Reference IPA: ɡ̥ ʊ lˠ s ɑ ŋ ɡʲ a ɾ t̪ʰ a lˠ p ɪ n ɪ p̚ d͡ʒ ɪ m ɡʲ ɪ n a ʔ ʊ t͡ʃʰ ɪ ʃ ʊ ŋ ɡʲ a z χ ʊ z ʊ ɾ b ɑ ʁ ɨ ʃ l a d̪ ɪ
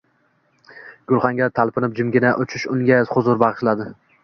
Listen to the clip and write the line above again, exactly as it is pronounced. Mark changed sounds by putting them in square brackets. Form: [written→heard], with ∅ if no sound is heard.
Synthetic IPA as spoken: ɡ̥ ʊ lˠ [s→χ] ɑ ŋ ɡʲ a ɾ t̪ʰ a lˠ p ɪ n ɪ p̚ d͡ʒ ɪ m ɡʲ ɪ n a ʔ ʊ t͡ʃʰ ɪ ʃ ʊ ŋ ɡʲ a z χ ʊ z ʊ ɾ b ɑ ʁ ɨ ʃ l a d̪ ɪ